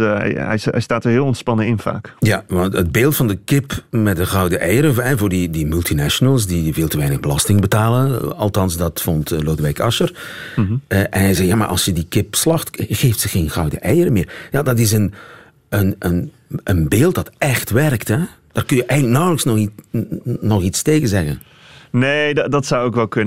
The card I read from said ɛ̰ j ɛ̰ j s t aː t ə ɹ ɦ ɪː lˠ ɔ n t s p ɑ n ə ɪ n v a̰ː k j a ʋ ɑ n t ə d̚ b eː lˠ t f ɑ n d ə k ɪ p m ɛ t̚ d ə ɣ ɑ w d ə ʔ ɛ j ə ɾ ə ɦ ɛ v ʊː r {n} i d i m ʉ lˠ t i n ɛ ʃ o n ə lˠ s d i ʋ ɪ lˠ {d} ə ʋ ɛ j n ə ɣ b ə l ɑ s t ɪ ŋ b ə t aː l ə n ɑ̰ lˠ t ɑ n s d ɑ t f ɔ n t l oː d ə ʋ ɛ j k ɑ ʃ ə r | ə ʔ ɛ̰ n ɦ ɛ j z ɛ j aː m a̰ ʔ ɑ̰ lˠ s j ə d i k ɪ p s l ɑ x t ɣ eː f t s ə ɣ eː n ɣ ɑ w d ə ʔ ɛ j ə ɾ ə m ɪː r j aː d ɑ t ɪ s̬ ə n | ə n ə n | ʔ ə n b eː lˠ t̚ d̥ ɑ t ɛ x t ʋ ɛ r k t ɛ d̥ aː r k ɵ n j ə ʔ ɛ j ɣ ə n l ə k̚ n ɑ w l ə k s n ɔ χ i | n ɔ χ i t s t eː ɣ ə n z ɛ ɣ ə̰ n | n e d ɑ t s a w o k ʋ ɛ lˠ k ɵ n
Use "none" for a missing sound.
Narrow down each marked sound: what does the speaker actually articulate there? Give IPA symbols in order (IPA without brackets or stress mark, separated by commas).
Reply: d, t